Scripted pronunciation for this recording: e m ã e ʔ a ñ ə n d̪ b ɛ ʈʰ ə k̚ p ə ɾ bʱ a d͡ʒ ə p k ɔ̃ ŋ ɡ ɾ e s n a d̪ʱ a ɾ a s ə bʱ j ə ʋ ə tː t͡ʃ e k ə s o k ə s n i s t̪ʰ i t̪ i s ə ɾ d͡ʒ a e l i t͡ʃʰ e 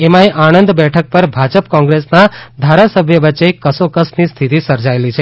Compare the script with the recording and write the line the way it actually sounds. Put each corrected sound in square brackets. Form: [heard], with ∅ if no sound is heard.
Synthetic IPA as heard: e m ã e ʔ a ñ ə n d̪ b ɛ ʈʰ ə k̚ p ə ɾ bʱ a d͡ʒ ə p k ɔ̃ ŋ ɡ ɾ e s n a d̪ʱ a ɾ a s ə bʱ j ə ʋ ə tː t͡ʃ e k ə s o k ə s n i s t̪ʰ i t̪ i s ə ɾ d͡ʒ a e l i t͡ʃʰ e